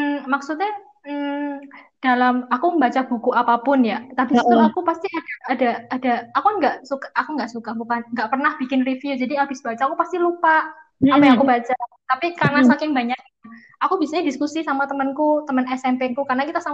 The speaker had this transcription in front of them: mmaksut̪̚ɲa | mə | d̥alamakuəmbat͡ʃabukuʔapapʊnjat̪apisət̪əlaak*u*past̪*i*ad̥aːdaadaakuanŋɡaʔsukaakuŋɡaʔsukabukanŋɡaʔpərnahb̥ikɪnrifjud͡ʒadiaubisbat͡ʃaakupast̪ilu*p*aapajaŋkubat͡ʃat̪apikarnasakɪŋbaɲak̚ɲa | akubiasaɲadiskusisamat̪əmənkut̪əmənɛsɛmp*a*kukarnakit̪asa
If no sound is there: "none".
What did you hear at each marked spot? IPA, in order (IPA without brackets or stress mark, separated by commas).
u, i, p, e